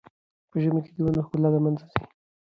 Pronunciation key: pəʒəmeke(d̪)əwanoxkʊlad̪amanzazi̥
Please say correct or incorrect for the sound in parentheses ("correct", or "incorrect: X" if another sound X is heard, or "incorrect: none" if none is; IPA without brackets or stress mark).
correct